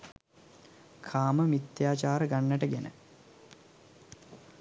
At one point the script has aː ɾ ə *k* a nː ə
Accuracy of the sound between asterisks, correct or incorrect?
incorrect